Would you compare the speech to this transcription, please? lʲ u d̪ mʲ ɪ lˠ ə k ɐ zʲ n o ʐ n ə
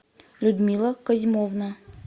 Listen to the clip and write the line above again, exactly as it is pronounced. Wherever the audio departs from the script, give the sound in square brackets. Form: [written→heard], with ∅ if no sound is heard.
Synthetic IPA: lʲ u d̪ mʲ [ɪ→i] lˠ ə k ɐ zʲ [n→m] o [ʐ→v] n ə